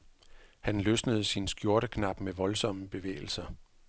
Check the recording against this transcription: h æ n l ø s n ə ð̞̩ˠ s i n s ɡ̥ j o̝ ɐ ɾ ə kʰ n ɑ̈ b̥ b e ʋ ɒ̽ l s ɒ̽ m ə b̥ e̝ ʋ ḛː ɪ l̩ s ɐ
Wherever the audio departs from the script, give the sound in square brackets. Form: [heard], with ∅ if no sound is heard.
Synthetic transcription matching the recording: h æ n l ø s n ə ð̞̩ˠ s i n s ɡ̥ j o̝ ɐ ɾ ə kʰ n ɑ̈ b̥ [m] e ʋ ɒ̽ l s ɒ̽ m ə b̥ e̝ ʋ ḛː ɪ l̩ s ɐ

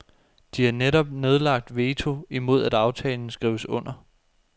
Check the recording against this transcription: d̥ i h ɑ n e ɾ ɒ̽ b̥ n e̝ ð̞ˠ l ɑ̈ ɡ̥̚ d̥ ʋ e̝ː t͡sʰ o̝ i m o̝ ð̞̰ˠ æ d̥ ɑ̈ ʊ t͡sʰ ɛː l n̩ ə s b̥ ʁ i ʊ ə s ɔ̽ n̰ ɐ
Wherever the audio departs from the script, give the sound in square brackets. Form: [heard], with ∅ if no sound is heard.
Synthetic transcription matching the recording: d̥ i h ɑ n e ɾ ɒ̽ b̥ n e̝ ð̞ˠ l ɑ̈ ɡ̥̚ d̥ ʋ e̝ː t͡sʰ o̝ i m o̝ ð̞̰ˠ æ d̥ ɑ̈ ʊ t͡sʰ ɛː l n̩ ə s [ɡ̥] ʁ i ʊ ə s ɔ̽ n̰ ɐ

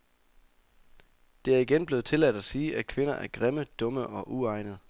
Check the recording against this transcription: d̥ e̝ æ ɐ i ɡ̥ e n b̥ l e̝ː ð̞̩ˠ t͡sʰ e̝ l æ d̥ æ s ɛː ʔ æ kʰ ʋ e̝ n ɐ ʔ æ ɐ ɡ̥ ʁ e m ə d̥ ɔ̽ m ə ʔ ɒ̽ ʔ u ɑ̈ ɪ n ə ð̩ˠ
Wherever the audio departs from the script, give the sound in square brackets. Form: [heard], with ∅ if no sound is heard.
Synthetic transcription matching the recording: d̥ e̝ æ ɐ i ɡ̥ e n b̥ l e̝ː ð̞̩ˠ t͡sʰ e̝ l æ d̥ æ s [iː] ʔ æ kʰ ʋ e̝ n ɐ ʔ æ ɐ ɡ̥ ʁ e m ə d̥ ɔ̽ m ə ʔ ɒ̽ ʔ u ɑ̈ ɪ n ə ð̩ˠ

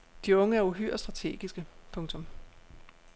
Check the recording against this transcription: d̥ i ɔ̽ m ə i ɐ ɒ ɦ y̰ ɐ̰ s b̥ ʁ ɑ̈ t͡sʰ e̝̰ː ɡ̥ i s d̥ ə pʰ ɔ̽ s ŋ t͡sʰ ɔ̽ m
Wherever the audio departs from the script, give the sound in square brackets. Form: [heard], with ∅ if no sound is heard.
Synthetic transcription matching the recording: d̥ i ɔ̽ [ŋ] ə [æ] ɐ [u] ɦ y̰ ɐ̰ s [d̥] ʁ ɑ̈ t͡sʰ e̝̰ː ɡ̥ i s [ɡ̥] ə pʰ ɔ̽ [∅] ŋ t͡sʰ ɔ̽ m

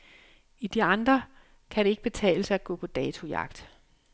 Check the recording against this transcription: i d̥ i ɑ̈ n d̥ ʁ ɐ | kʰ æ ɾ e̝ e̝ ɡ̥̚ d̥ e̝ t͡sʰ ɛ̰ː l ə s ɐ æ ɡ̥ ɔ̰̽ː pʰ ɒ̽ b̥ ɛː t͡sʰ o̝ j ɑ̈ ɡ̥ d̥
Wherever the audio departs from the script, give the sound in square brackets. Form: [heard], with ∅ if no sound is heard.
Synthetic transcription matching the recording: i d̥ i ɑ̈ n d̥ ʁ ɐ | kʰ æ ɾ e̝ e̝ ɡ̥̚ [b̥] e̝ t͡sʰ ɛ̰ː l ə s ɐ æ ɡ̥ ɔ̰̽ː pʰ ɒ̽ [d̥] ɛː t͡sʰ o̝ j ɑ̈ ɡ̥ d̥

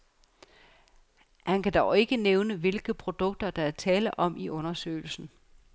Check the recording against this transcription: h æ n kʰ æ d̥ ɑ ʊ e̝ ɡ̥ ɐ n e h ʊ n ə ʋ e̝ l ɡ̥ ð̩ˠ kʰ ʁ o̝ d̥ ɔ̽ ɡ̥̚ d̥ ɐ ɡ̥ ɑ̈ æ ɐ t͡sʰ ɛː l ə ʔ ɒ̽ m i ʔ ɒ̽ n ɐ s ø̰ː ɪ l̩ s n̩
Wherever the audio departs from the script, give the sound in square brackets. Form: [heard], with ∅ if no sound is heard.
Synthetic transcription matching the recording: h æ n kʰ æ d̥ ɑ ʊ e̝ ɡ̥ [ə] n e [∅] ʊ n ə ʋ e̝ l ɡ̥ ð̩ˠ [pʰ] ʁ o̝ d̥ ɔ̽ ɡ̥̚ d̥ ɐ [d̥] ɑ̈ æ ɐ t͡sʰ ɛː l ə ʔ ɒ̽ m i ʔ [ɔ̽] n ɐ s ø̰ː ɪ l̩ s n̩

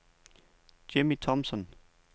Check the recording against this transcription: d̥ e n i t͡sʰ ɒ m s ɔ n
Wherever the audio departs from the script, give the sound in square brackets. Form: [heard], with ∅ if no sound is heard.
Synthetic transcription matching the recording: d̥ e [m] i t͡sʰ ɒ m s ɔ n

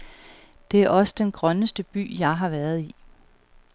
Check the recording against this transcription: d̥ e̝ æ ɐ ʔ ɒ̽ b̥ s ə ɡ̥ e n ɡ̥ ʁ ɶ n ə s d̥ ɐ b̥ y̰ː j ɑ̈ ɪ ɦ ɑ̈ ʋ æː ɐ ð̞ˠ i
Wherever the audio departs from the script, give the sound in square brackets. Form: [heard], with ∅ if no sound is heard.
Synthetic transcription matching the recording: d̥ e̝ æ ɐ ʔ ɒ̽ [∅] s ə [d̥] e n ɡ̥ ʁ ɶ n ə s d̥ [ə] b̥ y̰ː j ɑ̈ ɪ ɦ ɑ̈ ʋ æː ɐ ð̞ˠ i

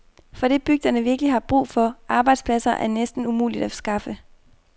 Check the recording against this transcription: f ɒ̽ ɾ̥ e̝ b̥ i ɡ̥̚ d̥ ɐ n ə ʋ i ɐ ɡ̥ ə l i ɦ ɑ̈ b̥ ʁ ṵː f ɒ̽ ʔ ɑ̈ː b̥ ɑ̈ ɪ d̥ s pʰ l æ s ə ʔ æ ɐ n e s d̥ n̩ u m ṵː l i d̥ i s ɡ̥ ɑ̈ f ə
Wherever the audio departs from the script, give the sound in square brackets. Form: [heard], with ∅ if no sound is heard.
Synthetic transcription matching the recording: f ɒ̽ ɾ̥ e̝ b̥ [y] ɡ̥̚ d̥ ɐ n ə ʋ i ɐ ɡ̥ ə l i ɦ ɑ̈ b̥ ʁ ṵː f ɒ̽ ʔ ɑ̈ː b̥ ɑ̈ ɪ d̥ s pʰ l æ s [ɐ] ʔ æ ɐ n e s d̥ n̩ u m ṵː l i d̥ [æ] s ɡ̥ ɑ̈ f ə

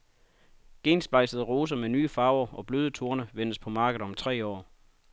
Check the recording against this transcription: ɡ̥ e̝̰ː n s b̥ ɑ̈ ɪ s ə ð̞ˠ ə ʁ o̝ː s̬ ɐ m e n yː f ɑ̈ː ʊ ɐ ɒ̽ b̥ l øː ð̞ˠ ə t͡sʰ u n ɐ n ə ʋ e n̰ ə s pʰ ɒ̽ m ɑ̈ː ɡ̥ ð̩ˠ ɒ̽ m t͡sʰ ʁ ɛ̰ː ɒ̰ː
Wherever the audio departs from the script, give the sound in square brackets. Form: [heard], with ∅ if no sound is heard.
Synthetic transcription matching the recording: ɡ̥ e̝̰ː n s b̥ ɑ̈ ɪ s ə ð̞ˠ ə ʁ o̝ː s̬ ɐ m e n yː f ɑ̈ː ʊ ɐ ɒ̽ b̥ l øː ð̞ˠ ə t͡sʰ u [∅] ɐ n ə ʋ e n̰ ə s pʰ ɒ̽ m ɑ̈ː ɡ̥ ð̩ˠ ɒ̽ m t͡sʰ ʁ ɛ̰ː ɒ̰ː

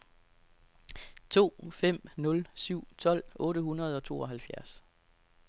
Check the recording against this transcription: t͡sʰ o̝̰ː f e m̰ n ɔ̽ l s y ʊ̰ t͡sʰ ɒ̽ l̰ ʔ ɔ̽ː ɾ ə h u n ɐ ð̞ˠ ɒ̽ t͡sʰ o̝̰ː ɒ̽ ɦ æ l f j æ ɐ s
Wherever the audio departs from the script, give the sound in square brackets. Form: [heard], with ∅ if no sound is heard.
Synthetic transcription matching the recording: t͡sʰ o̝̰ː f e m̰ n ɔ̽ l s y ʊ̰ t͡sʰ ɒ̽ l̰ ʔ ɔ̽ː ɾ ə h u n ɐ ð̞ˠ ɒ̽ t͡sʰ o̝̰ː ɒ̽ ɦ æ l f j æ ɐ s

